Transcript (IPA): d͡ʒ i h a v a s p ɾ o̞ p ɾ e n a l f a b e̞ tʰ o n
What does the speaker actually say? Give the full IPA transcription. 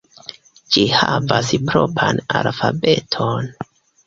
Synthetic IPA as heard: d͡ʒ i h a v a s p ɾ o̞ p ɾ a n a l f a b e̞ tʰ o n